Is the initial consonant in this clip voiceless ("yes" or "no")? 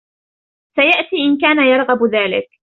yes